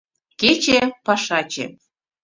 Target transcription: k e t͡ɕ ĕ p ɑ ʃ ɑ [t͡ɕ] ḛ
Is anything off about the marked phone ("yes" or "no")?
no